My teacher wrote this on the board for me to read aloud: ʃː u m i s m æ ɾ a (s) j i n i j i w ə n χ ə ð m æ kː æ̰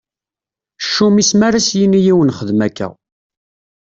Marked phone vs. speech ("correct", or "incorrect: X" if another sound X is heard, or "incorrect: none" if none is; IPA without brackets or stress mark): correct